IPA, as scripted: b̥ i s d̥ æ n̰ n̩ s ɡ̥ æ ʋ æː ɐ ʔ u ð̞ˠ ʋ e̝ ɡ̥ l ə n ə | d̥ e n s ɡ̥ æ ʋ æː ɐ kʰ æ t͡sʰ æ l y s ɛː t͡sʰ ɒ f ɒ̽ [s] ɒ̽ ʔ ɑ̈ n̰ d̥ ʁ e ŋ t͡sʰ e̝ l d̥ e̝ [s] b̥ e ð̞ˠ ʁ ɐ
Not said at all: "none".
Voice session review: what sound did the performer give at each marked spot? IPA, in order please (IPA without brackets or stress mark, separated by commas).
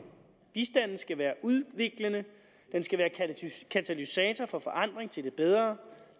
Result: f, none